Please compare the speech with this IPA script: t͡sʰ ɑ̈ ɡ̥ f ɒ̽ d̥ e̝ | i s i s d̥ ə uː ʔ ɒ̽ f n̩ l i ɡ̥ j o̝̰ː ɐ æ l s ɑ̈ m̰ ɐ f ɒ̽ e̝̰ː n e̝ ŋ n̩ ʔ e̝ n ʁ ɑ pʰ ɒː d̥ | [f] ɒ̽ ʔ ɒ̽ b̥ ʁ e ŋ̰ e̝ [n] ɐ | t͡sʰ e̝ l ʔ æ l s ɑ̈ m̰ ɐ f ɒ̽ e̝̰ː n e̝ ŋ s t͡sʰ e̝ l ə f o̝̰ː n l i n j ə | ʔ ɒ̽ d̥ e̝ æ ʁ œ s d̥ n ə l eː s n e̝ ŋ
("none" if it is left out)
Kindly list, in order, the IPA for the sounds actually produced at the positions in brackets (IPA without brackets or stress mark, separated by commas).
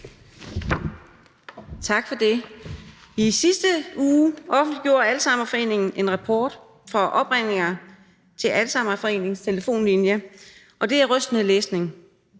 f, ŋ